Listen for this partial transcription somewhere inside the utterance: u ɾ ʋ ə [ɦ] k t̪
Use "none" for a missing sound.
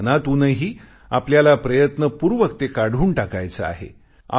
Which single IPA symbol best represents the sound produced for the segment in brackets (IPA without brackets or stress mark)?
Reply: none